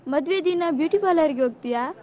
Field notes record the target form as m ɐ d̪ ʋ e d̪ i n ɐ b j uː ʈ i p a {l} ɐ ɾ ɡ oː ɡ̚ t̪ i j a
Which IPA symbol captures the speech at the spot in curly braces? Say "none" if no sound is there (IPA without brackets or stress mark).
l